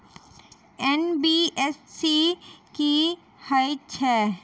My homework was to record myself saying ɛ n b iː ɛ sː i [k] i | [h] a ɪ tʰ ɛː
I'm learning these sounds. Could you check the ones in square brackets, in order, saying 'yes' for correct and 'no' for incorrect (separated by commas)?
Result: yes, yes